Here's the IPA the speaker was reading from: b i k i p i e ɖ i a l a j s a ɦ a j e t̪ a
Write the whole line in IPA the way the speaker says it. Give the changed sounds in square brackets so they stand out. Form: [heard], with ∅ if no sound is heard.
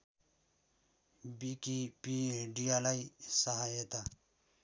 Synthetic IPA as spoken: b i k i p i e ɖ i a l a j s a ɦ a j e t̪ a